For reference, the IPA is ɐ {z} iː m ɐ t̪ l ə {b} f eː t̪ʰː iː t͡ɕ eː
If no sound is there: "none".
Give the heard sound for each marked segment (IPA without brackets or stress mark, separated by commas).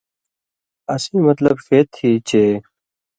s, b